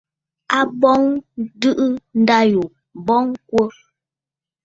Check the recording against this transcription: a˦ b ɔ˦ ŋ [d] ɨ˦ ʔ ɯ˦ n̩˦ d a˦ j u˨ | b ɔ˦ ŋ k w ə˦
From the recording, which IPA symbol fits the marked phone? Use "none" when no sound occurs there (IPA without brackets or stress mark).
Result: d